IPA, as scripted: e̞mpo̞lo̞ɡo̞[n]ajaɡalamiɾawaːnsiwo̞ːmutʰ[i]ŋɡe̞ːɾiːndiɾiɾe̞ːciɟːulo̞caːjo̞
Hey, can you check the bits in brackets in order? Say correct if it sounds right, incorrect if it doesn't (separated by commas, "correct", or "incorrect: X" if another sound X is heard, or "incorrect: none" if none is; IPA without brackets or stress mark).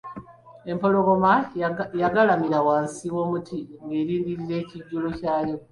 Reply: incorrect: m, correct